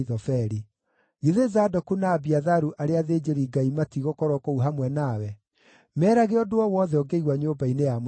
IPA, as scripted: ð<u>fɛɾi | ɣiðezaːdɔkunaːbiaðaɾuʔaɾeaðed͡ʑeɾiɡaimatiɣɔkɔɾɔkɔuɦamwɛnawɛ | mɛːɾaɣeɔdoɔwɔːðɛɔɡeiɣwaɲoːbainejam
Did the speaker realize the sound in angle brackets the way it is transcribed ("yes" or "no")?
no